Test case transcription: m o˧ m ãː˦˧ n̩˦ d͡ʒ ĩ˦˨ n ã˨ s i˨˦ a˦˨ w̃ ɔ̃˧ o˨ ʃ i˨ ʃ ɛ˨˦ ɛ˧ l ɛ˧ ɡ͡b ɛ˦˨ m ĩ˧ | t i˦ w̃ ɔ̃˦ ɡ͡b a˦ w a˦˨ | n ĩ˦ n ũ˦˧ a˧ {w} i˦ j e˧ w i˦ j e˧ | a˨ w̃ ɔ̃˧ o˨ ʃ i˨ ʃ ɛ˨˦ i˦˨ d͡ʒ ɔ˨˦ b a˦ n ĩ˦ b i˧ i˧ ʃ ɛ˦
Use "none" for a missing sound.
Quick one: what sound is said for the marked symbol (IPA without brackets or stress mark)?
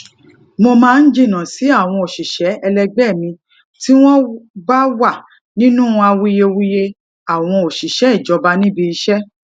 w